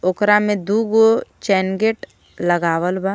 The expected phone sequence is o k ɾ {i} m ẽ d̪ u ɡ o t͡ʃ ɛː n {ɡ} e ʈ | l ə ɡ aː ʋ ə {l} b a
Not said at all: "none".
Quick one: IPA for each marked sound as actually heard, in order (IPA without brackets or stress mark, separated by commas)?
a, ɡ, l